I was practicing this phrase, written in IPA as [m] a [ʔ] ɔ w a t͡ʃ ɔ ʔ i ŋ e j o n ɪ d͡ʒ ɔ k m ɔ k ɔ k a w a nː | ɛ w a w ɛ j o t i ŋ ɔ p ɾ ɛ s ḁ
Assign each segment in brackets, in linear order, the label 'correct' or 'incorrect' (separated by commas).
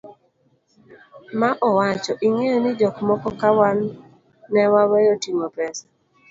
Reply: correct, correct